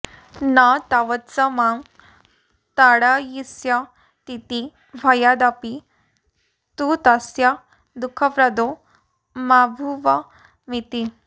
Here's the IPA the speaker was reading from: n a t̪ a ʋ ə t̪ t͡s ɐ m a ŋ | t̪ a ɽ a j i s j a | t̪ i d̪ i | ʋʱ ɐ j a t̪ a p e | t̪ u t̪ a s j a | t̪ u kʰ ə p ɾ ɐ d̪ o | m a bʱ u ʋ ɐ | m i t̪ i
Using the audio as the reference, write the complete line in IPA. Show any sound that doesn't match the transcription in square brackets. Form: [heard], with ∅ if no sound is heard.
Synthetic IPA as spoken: n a t̪ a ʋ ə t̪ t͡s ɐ m a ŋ | t̪ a ɽ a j i s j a | t̪ i [t̪] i | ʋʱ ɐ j a [d̪] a p [i] | t̪ u t̪ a s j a | [d̪] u kʰ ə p ɾ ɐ d̪ o | m a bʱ u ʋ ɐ | m i t̪ i